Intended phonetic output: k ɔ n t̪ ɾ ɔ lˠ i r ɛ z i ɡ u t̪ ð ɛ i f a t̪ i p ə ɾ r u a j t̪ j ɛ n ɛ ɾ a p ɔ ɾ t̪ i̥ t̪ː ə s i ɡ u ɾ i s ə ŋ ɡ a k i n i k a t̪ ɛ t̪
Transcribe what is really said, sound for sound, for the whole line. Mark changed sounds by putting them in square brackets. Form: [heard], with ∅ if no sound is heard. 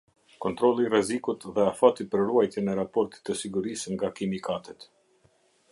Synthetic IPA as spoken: k ɔ n t̪ ɾ ɔ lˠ i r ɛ z i [k] u t̪ ð ɛ [a] f a t̪ i p ə ɾ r u a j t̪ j ɛ n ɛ ɾ a p ɔ ɾ t̪ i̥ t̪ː ə s i ɡ u ɾ i s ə ŋ ɡ a k i [m] i k a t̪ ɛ t̪